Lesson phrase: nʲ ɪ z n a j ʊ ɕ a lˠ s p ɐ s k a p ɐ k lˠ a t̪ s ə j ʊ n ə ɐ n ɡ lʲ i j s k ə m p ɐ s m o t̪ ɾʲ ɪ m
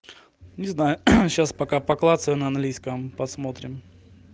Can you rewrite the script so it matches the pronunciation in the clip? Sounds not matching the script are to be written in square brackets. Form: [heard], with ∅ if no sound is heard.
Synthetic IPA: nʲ ɪ z n a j ʊ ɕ a [∅] s p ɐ [∅] k a p ɐ k lˠ a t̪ s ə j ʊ n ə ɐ n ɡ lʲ i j s k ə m p ɐ s m o t̪ ɾʲ ɪ m